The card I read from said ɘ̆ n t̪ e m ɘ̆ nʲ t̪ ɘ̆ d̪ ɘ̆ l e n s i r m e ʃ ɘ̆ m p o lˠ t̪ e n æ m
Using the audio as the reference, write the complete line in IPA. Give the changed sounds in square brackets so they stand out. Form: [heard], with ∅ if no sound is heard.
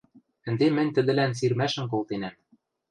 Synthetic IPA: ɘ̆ n [d̪] e m ɘ̆ nʲ t̪ ɘ̆ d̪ ɘ̆ l [æ] n s i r m [æ] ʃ ɘ̆ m [k] o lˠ t̪ e n æ m